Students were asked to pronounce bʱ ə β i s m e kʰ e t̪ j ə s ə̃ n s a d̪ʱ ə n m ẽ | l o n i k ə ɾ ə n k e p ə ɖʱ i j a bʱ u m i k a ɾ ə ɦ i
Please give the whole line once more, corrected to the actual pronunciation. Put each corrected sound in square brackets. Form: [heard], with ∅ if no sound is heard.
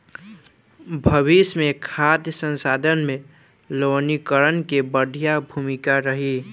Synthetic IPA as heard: bʱ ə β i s m e kʰ [a] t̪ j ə s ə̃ n s a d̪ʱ ə n m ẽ | l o n i k ə ɾ ə n k e [b] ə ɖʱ i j a bʱ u m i k a ɾ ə ɦ i